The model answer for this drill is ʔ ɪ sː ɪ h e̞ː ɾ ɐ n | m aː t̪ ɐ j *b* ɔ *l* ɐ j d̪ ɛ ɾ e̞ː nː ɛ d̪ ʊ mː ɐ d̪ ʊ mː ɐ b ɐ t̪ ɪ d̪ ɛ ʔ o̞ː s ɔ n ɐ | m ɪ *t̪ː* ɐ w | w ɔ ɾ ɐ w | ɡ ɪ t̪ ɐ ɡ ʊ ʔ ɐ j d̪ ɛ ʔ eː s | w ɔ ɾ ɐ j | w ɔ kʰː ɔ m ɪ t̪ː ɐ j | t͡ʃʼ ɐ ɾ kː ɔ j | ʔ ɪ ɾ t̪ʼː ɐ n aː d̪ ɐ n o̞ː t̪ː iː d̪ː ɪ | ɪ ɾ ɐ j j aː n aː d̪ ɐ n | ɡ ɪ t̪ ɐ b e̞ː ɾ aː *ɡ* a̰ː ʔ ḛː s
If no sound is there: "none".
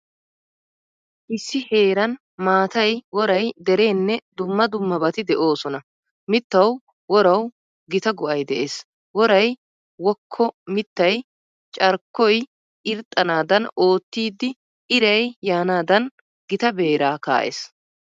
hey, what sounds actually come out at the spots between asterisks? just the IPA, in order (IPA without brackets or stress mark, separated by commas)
w, ɾ, t̪ː, k